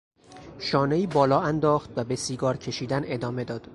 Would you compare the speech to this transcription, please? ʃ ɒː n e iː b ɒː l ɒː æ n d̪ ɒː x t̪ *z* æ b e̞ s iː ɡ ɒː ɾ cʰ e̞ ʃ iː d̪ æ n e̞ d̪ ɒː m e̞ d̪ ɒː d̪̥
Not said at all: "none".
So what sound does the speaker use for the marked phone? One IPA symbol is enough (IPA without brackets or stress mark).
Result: v